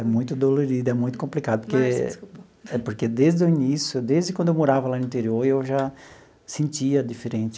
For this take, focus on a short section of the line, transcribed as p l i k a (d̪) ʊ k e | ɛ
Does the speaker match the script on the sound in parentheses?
yes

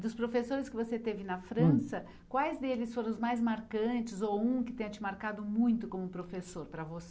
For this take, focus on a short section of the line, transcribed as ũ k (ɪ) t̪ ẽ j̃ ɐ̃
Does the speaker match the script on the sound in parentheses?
yes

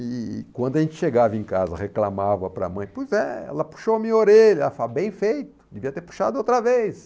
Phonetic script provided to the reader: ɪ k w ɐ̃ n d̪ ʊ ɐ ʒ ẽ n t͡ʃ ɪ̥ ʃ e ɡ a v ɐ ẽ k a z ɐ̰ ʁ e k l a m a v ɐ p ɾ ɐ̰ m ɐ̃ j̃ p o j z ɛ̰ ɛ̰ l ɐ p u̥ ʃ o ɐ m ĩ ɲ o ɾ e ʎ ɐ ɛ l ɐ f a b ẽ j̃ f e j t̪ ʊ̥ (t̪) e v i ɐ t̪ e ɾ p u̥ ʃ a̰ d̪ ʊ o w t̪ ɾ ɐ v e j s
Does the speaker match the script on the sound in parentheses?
no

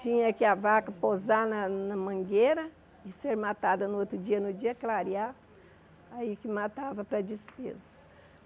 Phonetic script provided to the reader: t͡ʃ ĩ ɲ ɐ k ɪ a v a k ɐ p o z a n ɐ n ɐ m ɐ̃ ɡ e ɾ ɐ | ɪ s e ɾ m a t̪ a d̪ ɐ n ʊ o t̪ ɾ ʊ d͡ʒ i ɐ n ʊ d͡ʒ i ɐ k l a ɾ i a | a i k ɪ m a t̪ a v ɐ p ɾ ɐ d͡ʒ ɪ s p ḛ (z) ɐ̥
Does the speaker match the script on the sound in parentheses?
yes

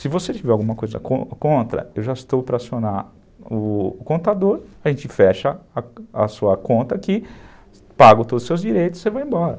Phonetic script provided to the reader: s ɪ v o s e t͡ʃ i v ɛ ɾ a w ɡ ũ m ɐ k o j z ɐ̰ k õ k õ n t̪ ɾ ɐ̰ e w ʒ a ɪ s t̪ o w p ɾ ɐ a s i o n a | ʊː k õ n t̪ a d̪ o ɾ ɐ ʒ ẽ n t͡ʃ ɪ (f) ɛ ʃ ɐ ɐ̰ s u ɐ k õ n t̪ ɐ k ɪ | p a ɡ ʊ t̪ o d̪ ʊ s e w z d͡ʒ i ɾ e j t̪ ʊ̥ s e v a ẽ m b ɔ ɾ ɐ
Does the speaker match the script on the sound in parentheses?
yes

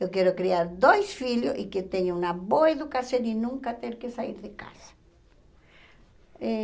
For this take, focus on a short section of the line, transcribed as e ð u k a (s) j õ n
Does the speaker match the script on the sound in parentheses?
yes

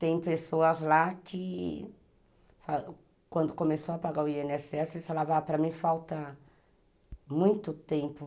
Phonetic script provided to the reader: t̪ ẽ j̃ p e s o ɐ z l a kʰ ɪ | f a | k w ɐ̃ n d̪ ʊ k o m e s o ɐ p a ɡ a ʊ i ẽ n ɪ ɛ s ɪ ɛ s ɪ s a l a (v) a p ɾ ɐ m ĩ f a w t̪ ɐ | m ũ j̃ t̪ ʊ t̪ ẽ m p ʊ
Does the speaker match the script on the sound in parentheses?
yes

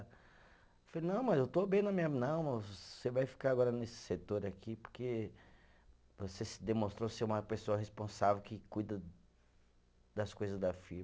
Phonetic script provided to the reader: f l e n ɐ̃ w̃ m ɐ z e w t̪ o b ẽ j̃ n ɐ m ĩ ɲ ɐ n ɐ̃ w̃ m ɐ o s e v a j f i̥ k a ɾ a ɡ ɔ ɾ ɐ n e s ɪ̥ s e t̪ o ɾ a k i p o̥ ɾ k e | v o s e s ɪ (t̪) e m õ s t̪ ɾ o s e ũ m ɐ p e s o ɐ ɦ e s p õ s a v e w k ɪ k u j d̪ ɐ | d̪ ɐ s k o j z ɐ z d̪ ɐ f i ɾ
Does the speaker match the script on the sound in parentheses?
no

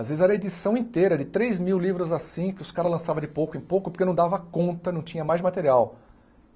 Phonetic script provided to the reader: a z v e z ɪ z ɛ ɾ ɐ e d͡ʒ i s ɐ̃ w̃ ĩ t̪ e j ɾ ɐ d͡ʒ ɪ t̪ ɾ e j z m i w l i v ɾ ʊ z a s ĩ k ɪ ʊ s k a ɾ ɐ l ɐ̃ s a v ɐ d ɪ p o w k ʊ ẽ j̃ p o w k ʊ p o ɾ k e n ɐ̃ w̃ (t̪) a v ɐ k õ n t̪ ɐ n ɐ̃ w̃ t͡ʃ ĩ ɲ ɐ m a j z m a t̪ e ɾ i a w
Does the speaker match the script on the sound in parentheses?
no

